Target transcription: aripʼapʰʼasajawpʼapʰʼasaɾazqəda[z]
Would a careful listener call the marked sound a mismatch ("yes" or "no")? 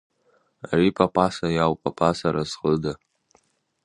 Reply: yes